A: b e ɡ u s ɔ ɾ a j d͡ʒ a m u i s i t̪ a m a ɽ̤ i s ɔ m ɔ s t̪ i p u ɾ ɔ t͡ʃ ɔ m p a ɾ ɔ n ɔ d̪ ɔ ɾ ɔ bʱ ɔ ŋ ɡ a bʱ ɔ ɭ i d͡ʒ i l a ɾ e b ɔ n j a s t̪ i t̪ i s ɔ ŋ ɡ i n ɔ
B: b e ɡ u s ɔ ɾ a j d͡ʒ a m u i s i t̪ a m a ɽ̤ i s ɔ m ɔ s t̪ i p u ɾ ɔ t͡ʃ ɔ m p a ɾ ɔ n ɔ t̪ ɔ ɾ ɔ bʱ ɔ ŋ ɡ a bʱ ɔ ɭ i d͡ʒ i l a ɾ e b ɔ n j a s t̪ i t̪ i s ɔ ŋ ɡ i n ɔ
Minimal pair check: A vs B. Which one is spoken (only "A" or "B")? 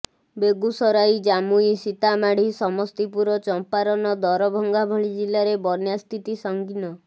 A